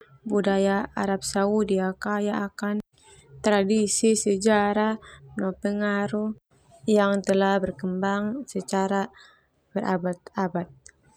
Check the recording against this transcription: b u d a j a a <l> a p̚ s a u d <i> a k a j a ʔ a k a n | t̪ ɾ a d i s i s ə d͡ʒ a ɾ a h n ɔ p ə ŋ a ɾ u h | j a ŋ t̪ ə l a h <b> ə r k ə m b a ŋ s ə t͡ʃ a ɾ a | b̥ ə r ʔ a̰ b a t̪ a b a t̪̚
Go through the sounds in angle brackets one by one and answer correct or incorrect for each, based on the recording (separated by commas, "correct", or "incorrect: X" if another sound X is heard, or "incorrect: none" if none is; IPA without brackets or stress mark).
incorrect: ɾ, correct, correct